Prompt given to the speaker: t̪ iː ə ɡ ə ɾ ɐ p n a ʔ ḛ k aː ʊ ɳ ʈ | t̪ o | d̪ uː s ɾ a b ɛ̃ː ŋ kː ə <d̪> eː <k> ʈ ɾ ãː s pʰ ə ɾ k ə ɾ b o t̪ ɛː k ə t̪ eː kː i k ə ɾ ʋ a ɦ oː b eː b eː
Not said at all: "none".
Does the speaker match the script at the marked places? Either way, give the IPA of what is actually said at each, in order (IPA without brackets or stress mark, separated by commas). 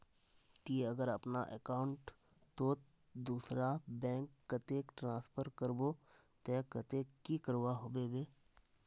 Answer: t̪, k